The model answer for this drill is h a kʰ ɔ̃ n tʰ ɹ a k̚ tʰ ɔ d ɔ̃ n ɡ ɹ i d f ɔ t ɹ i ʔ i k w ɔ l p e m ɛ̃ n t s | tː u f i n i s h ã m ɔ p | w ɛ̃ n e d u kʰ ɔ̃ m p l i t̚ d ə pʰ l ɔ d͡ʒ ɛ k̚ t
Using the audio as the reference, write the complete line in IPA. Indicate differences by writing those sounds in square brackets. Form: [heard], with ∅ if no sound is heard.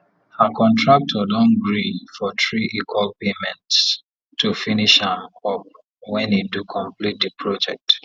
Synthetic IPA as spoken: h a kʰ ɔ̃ n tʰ ɹ a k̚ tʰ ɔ d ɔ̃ n ɡ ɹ i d f ɔ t ɹ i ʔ i k w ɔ l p e m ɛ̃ n t s | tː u f i n i [ʃ] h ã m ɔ p | w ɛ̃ n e d u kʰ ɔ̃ m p l i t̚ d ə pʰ [ɹ] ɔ d͡ʒ ɛ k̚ t